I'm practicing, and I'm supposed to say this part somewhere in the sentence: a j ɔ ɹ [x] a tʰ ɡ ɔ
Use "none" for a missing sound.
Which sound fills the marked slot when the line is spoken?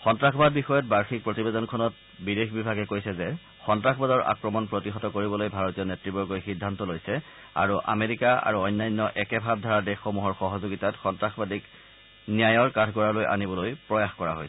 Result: k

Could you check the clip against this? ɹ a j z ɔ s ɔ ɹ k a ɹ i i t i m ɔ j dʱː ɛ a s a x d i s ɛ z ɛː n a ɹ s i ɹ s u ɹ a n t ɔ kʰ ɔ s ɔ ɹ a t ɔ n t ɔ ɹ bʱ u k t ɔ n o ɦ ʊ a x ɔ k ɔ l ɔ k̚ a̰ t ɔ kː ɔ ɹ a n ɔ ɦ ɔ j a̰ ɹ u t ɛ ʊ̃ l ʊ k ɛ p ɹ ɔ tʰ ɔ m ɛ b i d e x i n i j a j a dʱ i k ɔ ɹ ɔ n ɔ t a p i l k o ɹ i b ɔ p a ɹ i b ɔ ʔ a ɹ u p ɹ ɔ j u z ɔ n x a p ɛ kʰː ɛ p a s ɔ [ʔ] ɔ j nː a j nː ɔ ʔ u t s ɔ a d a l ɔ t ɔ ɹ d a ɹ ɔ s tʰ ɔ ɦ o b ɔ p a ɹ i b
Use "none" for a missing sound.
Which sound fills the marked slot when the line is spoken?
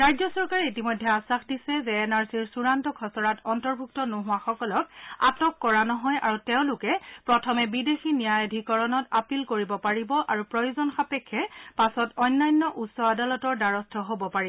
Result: t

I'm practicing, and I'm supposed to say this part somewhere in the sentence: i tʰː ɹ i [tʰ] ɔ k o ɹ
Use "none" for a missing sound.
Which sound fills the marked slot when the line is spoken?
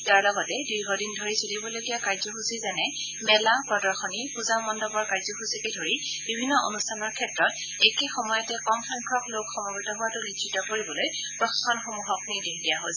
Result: t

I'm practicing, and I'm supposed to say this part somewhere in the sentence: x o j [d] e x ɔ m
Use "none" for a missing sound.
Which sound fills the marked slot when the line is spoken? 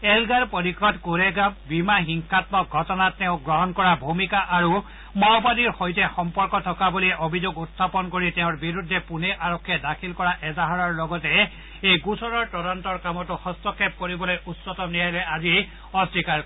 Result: t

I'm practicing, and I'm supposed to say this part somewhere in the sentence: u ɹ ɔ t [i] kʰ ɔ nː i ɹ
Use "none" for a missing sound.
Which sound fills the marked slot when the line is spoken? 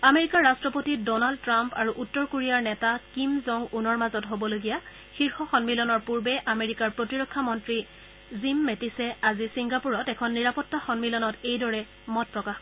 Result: ɛ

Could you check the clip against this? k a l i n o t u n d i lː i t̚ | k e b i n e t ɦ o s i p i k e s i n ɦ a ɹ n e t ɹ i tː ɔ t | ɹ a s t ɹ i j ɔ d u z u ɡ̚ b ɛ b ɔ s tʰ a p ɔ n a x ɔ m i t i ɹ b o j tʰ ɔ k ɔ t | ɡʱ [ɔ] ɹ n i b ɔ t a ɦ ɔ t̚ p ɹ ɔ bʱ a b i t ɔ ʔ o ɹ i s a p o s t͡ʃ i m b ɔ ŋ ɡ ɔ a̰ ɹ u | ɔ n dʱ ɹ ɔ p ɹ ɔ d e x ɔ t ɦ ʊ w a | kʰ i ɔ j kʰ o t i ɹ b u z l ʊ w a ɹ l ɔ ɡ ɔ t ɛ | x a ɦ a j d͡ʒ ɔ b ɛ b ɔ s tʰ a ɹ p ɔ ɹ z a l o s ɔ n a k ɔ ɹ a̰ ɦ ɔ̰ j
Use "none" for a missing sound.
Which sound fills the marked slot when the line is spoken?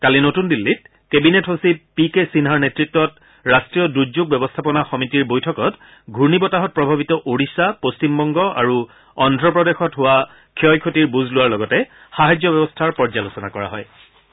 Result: u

